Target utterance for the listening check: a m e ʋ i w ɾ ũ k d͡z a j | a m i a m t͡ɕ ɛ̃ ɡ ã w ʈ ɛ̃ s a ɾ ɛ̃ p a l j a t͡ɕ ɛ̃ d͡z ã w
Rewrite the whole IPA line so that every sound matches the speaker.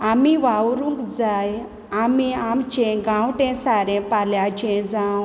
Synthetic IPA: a m i ʋ a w ɾ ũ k d͡z a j | a m i a m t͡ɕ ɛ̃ ɡ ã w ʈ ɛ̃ s a ɾ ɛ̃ p a l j a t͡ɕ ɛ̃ d͡z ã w